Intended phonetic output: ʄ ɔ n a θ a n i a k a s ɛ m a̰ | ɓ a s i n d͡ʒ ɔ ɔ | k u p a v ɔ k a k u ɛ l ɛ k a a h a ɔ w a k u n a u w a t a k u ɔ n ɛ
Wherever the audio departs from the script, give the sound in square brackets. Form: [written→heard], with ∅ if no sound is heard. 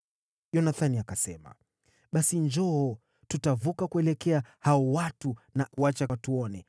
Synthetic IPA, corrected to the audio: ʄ ɔ n a θ a n i a k a s ɛ m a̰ | ɓ a s i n d͡ʒ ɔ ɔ | [k→t] u [p→t] a v [ɔ→u] k a k u ɛ l ɛ k [a→ɛ] a h a ɔ w a [k→t] u n a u w a [t→t͡ʃ] a [k→t] u ɔ n ɛ